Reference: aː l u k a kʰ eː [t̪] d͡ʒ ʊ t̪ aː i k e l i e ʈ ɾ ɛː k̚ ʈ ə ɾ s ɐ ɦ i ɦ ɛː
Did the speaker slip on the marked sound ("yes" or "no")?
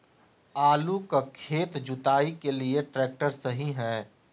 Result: no